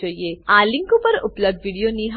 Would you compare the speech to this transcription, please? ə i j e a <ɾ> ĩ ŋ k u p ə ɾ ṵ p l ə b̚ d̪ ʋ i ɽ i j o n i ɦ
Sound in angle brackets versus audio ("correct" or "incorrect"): incorrect